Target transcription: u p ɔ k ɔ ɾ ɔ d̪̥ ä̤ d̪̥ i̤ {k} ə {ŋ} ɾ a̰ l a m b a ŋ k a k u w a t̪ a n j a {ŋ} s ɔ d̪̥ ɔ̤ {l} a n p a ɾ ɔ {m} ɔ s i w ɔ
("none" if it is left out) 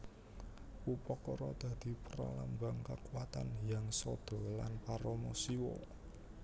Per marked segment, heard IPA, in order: p, none, ŋ, l, m

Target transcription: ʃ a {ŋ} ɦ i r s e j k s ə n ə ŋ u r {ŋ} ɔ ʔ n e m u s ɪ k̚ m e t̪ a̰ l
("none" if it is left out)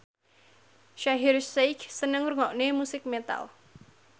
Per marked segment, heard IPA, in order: none, ŋ

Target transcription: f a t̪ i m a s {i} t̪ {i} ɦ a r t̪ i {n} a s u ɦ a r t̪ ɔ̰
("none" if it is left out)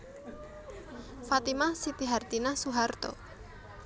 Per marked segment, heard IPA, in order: i, i, n

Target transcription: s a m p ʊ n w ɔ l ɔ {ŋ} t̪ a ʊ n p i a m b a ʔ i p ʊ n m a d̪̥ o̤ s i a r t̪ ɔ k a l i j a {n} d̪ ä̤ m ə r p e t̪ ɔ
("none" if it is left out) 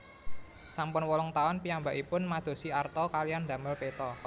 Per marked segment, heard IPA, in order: ŋ, n

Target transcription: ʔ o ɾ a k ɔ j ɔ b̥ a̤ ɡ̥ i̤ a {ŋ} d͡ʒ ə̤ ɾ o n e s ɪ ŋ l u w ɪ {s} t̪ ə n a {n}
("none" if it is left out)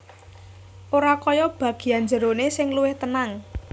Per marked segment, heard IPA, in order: n, h, ŋ

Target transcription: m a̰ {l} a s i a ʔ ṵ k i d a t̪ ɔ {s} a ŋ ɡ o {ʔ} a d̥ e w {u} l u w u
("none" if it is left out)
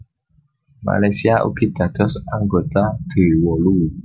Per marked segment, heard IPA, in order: l, s, t, ɔ

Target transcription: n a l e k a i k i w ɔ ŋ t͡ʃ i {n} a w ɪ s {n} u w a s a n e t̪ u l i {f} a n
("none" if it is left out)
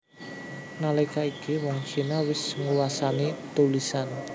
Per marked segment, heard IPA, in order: n, ŋ, s

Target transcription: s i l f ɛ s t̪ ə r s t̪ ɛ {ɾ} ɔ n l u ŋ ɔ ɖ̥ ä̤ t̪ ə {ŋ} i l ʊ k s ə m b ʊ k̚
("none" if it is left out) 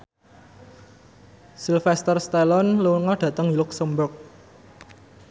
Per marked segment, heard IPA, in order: l, ŋ

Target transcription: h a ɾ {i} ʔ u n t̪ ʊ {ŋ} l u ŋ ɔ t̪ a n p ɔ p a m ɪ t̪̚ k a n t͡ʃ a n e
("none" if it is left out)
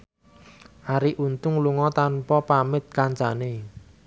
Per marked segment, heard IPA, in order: i, ŋ

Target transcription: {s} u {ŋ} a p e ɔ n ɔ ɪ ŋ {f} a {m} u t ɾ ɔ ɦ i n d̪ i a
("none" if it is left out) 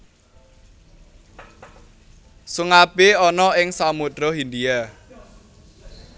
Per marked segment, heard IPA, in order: s, ŋ, s, m

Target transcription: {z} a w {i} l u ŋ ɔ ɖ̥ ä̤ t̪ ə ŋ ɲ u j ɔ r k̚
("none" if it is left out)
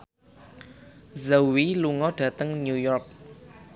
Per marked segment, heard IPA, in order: z, i

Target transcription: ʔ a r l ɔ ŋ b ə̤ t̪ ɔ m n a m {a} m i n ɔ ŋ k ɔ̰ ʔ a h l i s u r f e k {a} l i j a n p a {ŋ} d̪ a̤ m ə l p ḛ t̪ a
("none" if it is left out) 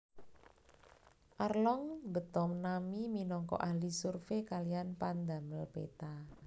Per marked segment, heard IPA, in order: i, a, n

